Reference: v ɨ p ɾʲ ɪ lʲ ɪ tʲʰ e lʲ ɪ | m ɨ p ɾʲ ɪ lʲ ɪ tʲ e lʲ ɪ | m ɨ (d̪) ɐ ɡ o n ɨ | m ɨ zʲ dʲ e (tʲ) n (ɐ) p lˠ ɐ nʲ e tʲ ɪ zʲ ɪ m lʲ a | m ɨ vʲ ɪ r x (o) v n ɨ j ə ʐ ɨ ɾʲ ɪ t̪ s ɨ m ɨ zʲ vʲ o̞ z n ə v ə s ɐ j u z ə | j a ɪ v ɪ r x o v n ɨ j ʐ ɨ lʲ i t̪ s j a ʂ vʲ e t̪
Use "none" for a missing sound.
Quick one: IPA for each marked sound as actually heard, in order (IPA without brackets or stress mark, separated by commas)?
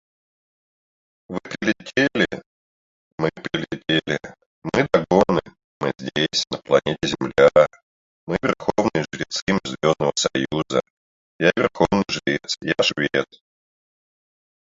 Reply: d̪, sʲ, ə, o